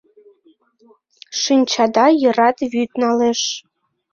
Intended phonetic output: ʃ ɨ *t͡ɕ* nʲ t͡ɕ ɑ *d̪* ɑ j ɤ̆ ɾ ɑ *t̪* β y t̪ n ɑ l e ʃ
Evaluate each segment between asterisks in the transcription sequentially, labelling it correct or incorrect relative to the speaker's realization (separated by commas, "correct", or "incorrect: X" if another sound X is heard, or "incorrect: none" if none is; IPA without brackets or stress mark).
incorrect: none, correct, correct